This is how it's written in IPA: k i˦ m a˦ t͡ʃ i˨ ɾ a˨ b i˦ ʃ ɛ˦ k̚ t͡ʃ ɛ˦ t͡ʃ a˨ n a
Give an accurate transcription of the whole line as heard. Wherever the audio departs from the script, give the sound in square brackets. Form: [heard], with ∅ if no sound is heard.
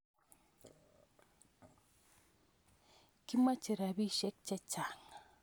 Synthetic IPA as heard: k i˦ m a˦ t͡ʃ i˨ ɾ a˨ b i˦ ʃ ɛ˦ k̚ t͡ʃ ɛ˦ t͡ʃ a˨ [ŋ] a